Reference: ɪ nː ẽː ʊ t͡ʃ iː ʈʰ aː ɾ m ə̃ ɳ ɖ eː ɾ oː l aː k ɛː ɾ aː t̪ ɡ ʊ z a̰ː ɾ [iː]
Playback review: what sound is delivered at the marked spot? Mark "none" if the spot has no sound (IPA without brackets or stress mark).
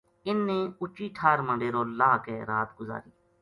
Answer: iː